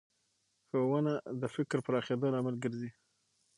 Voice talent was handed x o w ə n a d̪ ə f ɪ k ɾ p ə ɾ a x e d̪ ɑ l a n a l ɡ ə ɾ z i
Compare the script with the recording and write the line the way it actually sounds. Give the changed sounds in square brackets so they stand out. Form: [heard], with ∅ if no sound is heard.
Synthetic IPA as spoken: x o w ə n a d̪ ə f ɪ k ɾ p ə ɾ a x e d̪ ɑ l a [m] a l ɡ ə ɾ z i